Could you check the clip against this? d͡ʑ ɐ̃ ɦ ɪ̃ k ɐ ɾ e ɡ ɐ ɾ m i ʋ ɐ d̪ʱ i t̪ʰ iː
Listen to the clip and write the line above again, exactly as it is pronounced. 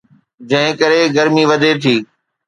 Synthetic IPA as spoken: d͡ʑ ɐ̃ ɦ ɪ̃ k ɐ ɾ e ɡ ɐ ɾ m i ʋ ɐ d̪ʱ e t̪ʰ iː

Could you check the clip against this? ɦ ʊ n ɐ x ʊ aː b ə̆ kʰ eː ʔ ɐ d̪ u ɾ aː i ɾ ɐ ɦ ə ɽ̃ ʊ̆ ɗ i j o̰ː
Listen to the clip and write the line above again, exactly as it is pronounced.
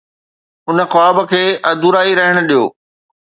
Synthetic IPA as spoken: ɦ ʊ n ə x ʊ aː b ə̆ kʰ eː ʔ ɐ d̪ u ɾ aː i ɾ ɐ ɦ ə ɽ̃ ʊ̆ ɗ i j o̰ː

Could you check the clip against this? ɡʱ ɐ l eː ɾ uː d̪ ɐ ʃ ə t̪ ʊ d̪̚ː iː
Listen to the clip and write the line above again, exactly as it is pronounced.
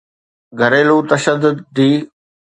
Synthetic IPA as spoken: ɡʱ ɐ ɾ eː l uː t̪ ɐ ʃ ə d̪ ʊ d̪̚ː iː

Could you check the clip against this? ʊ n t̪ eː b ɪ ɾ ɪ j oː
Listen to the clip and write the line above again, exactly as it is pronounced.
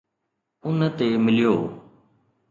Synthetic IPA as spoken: ʊ n t̪ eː m ɪ l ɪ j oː

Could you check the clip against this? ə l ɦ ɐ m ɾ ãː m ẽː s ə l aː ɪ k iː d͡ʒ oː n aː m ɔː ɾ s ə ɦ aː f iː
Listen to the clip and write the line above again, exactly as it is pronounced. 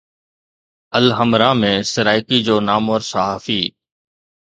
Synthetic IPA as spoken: ə l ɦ ə m ɾ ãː m ẽː s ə ɾ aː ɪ k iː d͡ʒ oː n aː m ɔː ɾ s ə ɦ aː f iː

